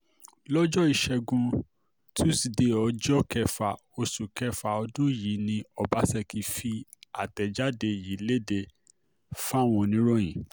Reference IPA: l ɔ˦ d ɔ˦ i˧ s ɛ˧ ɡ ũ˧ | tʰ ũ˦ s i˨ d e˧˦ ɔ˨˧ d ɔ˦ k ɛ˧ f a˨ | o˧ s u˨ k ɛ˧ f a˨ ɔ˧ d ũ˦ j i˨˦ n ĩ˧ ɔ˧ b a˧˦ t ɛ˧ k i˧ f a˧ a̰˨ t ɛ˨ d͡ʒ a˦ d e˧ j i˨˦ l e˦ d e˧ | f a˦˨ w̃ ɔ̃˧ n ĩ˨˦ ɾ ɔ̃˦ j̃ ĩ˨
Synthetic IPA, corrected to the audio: l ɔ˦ d͡ʒ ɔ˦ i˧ ʃ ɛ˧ ɡ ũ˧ | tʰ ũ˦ s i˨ d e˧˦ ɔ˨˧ d͡ʒ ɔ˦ k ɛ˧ f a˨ | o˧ s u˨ k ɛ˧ f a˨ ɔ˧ d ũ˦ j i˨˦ n ĩ˧ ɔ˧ b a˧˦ s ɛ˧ k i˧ f i˧ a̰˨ t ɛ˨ d͡ʒ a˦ d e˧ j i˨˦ l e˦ d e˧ | f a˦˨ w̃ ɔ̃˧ n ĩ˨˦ ɾ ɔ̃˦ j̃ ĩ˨